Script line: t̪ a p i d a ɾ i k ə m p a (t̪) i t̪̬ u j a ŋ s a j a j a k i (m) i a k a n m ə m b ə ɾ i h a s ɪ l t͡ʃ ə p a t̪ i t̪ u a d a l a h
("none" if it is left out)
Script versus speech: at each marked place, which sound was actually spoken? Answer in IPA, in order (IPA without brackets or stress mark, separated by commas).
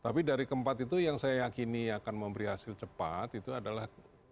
t̪, n